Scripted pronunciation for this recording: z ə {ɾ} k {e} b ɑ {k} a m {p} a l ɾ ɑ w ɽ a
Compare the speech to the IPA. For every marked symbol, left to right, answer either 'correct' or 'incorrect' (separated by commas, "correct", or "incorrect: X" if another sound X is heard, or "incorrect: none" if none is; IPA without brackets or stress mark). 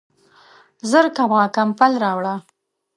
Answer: correct, incorrect: a, correct, correct